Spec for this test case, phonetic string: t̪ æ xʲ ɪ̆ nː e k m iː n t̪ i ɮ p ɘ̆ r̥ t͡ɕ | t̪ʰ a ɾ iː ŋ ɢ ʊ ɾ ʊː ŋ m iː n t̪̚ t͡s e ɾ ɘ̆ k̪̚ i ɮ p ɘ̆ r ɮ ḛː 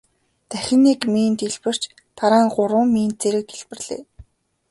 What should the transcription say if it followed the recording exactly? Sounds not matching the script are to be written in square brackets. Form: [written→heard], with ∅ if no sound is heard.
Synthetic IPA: t̪ æ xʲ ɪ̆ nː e k m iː n t̪ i ɮ p ɘ̆ r̥ t͡ɕ | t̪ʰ a ɾ [iː→aː] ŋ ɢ ʊ ɾ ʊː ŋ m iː n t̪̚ t͡s e ɾ ɘ̆ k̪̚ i ɮ p ɘ̆ r ɮ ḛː